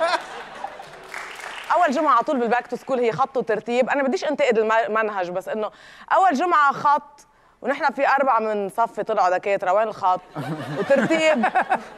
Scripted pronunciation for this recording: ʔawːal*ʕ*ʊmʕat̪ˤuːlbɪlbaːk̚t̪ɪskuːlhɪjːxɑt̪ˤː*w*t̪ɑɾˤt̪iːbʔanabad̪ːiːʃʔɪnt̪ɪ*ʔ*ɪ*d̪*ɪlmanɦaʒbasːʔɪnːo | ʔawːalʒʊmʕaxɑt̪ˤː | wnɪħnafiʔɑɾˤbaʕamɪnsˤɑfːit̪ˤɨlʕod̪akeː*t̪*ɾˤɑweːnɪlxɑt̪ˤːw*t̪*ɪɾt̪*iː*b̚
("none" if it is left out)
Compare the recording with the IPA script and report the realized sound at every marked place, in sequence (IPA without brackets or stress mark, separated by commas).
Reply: ʒ, w, ʔ, d̪, t̪, t̪, iː